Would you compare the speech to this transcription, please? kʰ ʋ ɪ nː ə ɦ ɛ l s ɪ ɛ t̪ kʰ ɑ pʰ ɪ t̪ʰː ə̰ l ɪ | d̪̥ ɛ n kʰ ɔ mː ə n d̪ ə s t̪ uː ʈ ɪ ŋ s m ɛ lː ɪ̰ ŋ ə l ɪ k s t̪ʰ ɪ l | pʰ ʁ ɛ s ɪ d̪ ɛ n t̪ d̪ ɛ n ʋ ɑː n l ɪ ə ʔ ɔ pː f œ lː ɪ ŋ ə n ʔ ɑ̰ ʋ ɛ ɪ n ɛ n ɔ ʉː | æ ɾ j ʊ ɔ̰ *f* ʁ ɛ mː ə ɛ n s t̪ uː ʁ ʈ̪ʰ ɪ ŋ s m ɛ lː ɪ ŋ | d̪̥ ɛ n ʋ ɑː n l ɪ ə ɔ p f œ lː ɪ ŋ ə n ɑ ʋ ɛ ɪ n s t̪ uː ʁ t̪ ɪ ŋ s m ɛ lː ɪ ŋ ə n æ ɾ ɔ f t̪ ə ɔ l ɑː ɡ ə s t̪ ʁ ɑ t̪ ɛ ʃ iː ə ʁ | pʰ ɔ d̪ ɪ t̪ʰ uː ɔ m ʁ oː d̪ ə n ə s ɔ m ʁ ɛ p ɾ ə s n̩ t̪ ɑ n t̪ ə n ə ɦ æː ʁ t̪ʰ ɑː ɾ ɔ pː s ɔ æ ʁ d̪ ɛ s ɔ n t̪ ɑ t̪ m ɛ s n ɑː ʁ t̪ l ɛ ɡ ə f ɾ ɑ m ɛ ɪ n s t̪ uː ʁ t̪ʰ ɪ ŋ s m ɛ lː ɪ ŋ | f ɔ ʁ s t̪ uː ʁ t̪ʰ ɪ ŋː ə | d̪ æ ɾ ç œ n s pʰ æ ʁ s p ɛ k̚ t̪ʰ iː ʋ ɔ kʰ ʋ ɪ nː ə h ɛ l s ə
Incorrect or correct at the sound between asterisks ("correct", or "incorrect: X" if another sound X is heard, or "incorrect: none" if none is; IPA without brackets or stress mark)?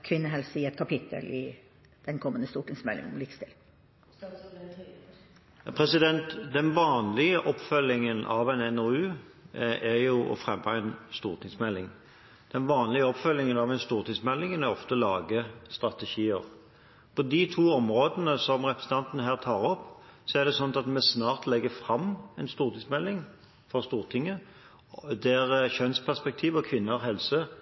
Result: correct